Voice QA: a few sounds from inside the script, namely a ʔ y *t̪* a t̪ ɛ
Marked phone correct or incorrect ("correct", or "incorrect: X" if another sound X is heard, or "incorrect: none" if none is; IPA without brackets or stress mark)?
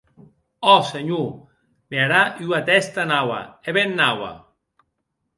incorrect: none